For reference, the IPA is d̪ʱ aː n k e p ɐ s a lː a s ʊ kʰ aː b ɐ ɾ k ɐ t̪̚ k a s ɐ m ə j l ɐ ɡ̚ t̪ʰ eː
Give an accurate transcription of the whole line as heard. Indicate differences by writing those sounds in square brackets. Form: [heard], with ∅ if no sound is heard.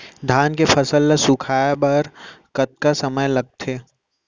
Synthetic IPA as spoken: d̪ʱ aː n k e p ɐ s [ə] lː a s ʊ kʰ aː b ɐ ɾ k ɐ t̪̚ k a s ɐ m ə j l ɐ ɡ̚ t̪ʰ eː